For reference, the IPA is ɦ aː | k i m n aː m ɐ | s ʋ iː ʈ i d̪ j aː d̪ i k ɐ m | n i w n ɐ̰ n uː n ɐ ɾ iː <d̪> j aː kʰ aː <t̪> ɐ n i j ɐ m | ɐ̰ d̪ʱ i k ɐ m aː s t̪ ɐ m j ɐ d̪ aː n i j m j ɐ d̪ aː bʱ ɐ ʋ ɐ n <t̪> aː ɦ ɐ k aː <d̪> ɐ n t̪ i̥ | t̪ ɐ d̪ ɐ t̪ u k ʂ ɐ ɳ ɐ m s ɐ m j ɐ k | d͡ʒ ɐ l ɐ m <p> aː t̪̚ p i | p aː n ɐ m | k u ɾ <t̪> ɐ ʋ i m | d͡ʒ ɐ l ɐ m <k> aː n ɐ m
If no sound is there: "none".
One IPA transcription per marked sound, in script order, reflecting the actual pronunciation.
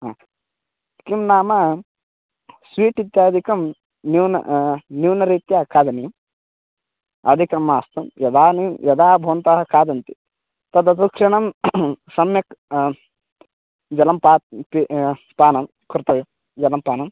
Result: t̪, d̪, t̪, d̪, p, t̪, p

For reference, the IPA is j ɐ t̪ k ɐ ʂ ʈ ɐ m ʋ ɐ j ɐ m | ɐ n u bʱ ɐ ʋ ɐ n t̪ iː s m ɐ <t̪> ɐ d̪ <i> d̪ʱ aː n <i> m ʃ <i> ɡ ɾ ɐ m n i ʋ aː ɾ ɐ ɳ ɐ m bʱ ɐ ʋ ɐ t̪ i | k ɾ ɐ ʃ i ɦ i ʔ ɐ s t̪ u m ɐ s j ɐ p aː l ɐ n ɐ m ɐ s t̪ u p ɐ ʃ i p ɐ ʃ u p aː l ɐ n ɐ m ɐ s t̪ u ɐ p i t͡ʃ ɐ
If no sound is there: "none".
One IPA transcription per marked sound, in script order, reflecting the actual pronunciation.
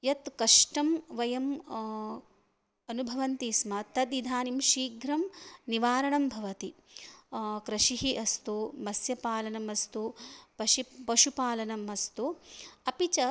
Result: t̪, i, i, iː

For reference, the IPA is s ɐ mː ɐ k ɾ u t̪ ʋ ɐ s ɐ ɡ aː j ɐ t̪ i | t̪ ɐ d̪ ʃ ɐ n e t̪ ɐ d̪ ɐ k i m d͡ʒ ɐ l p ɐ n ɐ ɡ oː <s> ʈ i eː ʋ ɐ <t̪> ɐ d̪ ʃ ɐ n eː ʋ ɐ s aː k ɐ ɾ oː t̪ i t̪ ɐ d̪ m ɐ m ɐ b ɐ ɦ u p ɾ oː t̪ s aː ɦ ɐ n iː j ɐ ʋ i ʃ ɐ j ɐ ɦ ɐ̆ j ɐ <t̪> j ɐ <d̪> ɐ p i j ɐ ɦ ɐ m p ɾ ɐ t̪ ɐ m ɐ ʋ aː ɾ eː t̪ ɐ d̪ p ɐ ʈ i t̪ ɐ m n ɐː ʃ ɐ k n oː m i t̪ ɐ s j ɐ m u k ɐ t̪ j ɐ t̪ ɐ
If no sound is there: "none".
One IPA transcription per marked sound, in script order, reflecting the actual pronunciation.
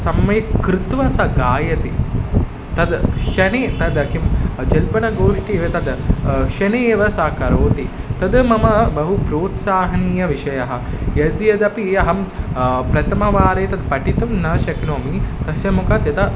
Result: ʂ, t̪, d̪, d̪

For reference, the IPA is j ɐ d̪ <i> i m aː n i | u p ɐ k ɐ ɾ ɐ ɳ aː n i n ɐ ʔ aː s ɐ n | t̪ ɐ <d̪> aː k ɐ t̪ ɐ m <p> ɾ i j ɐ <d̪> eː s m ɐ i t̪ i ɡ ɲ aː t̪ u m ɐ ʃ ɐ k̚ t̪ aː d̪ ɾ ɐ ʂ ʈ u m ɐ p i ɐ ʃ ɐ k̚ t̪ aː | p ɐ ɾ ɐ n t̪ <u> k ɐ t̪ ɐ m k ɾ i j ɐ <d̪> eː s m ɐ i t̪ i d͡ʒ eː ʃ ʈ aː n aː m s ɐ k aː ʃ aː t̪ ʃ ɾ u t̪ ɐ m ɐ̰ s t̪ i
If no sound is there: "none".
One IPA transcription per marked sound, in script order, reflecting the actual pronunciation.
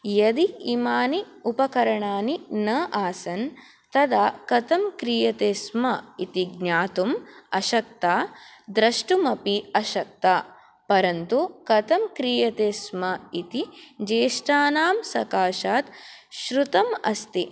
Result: i, d̪, k, t̪, u, t̪

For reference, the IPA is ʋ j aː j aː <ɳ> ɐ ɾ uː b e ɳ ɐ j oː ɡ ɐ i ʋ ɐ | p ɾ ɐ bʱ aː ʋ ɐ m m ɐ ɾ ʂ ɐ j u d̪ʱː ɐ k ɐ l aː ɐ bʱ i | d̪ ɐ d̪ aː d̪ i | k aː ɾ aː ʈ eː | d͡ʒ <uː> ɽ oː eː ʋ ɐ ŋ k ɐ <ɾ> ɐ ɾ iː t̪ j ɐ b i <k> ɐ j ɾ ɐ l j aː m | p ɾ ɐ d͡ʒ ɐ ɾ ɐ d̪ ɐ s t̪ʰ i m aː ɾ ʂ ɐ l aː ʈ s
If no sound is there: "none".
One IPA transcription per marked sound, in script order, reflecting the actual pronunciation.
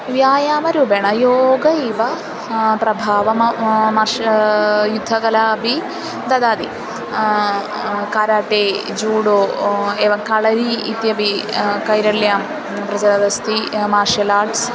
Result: m, uː, ɭ, k

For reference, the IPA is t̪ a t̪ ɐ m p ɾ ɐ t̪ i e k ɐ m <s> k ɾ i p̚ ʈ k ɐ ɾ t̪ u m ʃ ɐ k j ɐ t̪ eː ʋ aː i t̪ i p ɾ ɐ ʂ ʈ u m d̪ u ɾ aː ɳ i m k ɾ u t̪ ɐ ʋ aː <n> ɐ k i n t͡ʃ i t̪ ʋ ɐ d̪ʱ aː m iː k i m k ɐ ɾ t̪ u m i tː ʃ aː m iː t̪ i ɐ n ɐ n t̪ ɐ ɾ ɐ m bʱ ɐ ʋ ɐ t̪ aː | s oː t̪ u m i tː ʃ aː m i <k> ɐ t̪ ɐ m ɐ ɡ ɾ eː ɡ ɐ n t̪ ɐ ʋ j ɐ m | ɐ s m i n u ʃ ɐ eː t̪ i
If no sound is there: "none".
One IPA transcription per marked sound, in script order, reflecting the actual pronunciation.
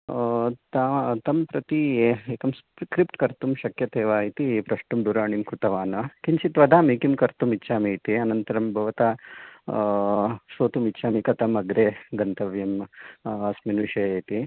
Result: s, n, k

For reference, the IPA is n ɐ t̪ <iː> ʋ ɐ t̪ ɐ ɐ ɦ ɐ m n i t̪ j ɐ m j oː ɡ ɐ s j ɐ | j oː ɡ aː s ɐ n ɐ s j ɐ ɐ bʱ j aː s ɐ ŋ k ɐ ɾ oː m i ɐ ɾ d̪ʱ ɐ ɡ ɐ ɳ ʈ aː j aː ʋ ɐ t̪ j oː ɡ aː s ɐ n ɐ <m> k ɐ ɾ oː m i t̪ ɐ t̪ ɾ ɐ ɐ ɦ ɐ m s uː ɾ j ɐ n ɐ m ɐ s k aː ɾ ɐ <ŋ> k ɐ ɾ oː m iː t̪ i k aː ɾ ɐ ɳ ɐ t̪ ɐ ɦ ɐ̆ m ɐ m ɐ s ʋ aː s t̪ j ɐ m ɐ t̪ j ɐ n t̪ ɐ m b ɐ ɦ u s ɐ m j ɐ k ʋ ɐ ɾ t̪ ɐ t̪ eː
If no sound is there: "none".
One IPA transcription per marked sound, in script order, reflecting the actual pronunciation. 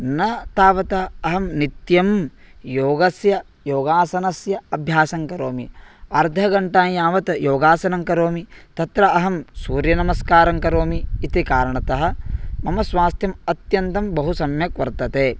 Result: aː, ŋ, ŋ

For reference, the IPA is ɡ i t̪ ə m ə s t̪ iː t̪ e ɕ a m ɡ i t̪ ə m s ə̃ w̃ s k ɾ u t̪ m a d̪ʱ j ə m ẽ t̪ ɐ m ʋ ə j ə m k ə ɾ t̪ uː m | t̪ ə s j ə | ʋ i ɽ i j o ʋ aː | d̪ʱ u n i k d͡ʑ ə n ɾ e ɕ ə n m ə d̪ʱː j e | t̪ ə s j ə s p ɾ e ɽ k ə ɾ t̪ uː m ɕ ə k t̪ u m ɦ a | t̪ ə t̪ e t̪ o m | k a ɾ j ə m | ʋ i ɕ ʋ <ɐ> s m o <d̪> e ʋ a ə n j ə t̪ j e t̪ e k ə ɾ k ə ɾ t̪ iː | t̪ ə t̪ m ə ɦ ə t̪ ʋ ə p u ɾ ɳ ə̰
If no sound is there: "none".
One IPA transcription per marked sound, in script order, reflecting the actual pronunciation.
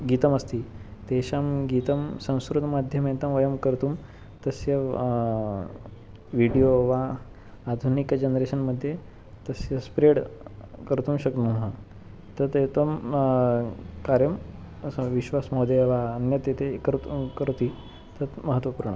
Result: a, d̪

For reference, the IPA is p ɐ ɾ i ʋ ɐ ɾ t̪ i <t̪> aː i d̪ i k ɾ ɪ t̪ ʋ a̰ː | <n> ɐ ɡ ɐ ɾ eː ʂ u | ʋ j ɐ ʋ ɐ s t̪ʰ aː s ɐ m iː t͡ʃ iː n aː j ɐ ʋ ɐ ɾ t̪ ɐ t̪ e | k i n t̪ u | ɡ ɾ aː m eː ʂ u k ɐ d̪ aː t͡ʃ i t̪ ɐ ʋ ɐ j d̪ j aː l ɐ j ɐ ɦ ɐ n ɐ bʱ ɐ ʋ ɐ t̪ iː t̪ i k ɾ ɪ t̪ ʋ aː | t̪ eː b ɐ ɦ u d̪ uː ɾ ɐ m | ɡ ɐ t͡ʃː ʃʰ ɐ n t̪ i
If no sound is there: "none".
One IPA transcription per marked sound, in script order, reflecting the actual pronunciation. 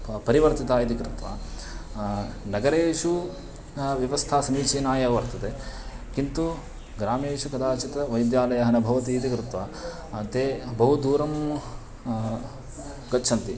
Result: t̪, n

